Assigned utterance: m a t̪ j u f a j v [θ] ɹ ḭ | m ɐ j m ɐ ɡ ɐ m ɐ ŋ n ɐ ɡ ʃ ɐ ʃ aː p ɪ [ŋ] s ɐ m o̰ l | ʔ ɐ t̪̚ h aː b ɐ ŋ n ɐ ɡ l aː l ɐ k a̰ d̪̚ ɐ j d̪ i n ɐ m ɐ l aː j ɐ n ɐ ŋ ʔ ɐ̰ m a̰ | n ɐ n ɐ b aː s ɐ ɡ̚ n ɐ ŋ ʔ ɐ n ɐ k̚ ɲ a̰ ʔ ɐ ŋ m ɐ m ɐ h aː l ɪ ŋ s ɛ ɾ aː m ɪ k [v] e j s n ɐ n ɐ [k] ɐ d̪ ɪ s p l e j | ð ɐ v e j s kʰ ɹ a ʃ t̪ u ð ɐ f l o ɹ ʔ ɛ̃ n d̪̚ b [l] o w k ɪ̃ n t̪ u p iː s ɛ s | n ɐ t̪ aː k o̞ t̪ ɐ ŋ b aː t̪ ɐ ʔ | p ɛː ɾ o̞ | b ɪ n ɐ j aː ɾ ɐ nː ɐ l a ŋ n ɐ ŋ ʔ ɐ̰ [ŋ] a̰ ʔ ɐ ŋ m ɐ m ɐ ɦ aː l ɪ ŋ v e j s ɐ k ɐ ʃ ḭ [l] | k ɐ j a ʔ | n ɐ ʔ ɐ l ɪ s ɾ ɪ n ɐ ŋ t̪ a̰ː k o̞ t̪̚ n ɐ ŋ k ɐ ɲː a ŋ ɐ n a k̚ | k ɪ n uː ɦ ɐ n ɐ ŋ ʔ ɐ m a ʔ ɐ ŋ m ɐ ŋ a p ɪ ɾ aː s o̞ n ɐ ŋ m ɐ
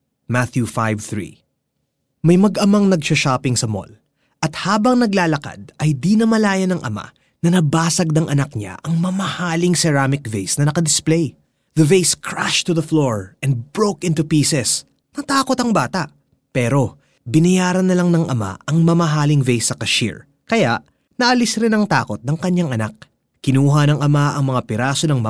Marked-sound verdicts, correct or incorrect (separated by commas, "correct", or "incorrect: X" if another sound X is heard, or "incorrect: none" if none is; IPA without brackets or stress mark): correct, correct, correct, correct, incorrect: ɹ, incorrect: m, incorrect: ɹ